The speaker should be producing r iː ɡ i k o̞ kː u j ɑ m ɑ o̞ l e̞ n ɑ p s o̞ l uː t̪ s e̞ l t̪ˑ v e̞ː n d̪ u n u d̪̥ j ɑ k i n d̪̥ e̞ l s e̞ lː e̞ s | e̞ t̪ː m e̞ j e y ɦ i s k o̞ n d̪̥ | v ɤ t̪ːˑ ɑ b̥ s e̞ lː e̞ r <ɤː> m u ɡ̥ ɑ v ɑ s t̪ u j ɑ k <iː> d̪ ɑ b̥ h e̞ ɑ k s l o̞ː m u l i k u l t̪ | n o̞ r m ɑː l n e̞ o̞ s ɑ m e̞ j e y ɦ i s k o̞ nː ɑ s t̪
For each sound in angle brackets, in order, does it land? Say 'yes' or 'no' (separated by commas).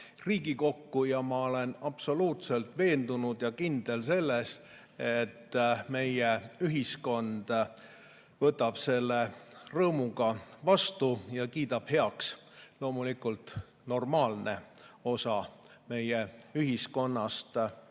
yes, yes